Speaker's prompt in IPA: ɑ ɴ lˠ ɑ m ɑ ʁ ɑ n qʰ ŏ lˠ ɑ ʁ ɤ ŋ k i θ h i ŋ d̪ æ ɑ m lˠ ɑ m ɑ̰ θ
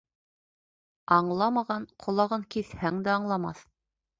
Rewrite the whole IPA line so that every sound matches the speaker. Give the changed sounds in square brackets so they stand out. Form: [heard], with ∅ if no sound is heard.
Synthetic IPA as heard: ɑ ɴ lˠ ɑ m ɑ ʁ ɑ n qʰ ŏ lˠ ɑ ʁ ɤ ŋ k i θ h [æ] ŋ d̪ æ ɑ [ɴ] lˠ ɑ m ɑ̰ θ